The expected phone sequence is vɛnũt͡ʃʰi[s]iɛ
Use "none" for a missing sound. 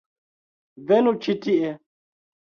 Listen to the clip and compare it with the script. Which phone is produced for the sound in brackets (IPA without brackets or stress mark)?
t